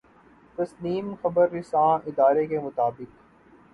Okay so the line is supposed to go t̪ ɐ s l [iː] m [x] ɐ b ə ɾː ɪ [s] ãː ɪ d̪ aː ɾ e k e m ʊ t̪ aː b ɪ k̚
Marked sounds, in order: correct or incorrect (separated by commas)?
correct, correct, correct